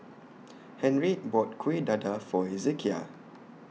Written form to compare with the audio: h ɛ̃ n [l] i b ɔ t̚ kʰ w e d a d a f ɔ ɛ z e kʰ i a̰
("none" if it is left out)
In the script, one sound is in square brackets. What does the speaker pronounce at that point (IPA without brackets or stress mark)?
ɹ